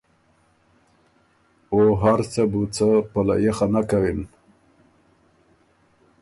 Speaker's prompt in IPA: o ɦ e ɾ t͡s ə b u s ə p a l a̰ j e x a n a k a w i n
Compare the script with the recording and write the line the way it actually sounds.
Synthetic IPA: o ɦ a ɾ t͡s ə b u t͡s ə p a l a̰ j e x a n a k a w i n